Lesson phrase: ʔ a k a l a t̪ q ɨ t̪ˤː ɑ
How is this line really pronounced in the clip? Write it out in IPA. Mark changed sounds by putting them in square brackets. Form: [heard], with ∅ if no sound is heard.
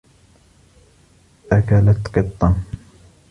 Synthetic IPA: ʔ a k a l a t̪ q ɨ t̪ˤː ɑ